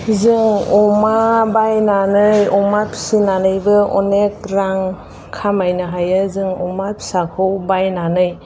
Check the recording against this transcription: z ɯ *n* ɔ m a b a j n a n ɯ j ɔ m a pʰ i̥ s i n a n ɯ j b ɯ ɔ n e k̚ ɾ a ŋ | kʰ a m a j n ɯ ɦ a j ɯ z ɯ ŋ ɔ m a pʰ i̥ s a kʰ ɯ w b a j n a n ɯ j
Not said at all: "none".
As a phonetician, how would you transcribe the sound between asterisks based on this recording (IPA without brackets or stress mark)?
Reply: ŋ